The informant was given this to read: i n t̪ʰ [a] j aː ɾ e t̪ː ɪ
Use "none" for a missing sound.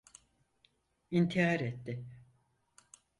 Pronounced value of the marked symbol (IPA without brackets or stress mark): i